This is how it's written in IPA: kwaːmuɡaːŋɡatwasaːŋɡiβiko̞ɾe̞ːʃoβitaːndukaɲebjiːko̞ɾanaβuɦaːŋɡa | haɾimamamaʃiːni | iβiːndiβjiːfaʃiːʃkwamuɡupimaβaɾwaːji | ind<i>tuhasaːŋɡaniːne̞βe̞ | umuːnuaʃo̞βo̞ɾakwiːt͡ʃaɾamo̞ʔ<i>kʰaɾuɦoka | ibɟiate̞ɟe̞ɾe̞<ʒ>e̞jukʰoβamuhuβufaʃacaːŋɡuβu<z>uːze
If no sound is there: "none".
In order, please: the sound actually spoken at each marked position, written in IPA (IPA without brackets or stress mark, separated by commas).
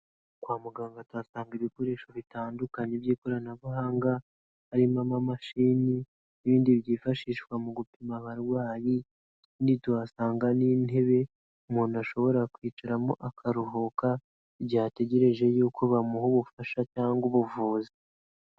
i, a, ʒ, v